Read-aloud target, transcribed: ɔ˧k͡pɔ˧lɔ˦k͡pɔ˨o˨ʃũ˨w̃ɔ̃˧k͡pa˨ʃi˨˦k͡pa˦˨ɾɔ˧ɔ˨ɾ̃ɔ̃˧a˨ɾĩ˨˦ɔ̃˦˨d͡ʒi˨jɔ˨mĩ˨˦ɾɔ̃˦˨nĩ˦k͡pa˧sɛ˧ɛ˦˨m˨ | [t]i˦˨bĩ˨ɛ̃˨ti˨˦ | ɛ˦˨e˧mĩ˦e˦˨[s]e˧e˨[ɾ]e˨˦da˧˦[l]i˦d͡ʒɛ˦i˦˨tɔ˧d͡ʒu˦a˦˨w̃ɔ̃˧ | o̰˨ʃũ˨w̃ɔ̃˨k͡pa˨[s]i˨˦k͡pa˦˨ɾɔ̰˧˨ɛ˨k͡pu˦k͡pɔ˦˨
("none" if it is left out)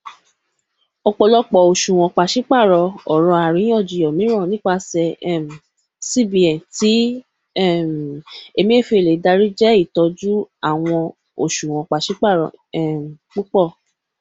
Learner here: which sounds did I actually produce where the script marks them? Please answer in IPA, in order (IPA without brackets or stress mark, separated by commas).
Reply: s, f, l, ɾ, ʃ